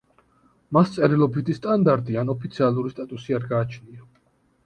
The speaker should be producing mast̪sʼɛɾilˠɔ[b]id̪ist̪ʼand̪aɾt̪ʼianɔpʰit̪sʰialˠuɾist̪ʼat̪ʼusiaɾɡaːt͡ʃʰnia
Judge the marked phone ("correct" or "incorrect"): correct